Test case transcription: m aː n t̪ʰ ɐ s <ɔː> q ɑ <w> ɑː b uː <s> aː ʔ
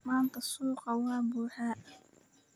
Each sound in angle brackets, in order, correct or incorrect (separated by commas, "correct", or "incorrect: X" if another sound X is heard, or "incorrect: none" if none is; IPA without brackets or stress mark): incorrect: uː, correct, incorrect: ħ